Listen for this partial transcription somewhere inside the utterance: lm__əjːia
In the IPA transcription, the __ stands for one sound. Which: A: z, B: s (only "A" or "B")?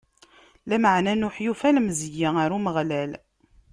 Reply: A